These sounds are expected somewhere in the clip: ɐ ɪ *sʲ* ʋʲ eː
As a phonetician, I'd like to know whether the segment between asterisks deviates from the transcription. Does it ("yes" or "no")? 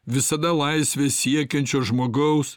no